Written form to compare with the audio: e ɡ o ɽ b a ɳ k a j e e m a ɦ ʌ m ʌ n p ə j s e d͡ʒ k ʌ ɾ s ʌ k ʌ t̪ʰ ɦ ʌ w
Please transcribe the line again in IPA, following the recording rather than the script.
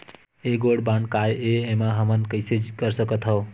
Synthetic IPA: e ɡ o ɽ b a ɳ k a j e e m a ɦ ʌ m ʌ n k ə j s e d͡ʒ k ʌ ɾ s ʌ k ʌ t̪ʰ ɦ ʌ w

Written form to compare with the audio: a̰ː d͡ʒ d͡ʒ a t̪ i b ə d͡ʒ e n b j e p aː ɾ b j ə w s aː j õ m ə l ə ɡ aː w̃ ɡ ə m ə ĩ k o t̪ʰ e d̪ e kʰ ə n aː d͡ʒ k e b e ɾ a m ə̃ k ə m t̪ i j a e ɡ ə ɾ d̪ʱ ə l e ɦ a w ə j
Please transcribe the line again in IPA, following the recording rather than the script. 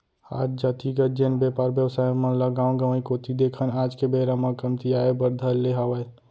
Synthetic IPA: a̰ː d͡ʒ d͡ʒ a t̪ i ɡ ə d͡ʒ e n b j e p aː ɾ b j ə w s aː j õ m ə l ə ɡ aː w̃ ɡ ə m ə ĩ k o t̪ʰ i d̪ e kʰ ə n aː d͡ʒ k e b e ɾ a m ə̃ k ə m t̪ i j a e b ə ɾ d̪ʱ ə l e ɦ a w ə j

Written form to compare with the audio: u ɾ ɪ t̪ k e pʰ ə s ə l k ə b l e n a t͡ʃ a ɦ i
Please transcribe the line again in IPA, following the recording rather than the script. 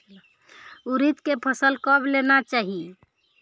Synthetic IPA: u ɾ i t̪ k e pʰ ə s ə l k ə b l e n a t͡ʃ a ɦ i

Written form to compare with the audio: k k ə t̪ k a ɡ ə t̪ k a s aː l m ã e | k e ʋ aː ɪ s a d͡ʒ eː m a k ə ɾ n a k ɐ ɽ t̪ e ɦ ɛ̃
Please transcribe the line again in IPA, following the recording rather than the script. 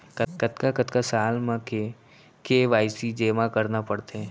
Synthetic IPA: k k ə t̪ k a k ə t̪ k a s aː l m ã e | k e ʋ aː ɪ s i d͡ʒ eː m a k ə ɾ n a p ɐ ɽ t̪ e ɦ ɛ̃

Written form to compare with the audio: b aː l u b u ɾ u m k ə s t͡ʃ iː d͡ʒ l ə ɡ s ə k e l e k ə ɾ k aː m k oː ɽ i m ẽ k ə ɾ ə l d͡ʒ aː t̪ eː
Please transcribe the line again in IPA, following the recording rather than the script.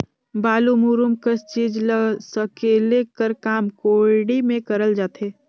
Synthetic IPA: b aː l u m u ɾ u m k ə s t͡ʃ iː d͡ʒ l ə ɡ s ə k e l e k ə ɾ k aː m k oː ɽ i m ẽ k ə ɾ ə l d͡ʒ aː t̪ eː

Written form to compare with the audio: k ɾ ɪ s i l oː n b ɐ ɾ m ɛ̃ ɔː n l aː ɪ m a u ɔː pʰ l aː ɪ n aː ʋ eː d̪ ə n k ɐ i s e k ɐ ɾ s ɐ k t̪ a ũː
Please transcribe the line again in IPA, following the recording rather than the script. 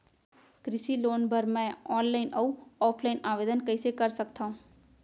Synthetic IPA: k ɾ ɪ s i l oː n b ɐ ɾ m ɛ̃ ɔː n l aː ɪ n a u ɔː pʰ l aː ɪ n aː ʋ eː d̪ ə n k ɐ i s e k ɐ ɾ s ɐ k t̪ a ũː

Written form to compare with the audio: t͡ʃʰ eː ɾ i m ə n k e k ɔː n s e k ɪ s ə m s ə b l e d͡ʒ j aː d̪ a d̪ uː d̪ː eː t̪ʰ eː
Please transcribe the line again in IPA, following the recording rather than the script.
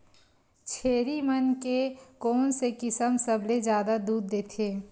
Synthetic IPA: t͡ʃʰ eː ɾ i m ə n k e k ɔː n s e k ɪ s ə m s ə b l e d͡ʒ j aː d̪ a d̪ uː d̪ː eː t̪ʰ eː

